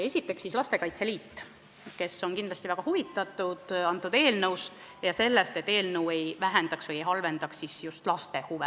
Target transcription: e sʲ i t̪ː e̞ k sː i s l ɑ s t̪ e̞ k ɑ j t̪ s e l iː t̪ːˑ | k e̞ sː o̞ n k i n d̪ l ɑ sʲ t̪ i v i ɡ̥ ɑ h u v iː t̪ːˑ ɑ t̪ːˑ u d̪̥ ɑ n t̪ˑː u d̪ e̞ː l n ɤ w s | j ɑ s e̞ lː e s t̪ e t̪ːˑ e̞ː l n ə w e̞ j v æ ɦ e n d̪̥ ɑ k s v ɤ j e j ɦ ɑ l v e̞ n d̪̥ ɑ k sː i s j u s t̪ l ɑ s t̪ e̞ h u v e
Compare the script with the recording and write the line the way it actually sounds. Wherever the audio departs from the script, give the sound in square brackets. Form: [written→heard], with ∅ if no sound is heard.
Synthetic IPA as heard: e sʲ i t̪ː e̞ k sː i s l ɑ s t̪ e̞ k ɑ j t̪ s e l iː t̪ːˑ | k e̞ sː o̞ n k i n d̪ l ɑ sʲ t̪ i v [i→æ] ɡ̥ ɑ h u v [iː→i] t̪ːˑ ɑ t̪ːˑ u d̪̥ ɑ n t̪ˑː u d̪ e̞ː l n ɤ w s | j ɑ s e̞ lː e s t̪ e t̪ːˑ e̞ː l n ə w e̞ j v æ ɦ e n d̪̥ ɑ k s v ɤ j e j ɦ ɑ l v e̞ n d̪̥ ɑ k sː i s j u s t̪ l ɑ s t̪ e̞ h u v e